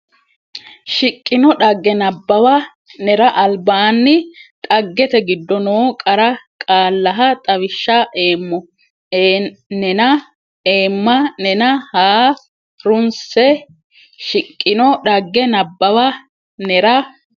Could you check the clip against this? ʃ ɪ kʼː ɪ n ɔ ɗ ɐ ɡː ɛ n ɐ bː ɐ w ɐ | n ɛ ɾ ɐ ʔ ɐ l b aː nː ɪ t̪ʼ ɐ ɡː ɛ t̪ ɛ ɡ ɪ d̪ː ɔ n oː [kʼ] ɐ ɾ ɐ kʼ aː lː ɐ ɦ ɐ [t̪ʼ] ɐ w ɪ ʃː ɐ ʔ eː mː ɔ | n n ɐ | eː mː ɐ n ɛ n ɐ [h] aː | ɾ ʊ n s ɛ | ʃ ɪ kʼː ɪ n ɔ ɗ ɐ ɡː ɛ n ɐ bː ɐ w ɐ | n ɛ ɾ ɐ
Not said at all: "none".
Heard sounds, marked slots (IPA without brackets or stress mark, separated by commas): kʼ, t̪ʼ, h